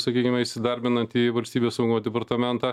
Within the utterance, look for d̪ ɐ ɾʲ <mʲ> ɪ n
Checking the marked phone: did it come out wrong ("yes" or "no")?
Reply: yes